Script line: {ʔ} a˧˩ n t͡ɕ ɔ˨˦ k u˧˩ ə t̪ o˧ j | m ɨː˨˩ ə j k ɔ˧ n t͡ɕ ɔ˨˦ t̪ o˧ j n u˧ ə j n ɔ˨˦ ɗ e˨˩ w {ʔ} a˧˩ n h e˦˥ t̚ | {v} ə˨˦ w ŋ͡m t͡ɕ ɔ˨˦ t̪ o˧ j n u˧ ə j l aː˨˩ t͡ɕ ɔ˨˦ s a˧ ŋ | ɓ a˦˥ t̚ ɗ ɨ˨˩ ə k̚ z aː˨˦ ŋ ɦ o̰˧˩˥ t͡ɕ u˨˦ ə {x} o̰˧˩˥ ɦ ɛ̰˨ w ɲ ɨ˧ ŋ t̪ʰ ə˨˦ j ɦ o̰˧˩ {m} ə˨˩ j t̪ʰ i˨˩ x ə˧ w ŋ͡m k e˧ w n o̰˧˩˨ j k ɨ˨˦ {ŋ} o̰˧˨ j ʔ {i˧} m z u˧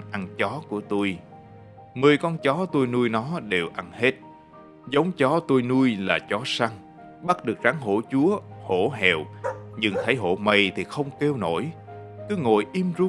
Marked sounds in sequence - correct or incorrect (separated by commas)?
correct, correct, incorrect, incorrect, correct, correct, correct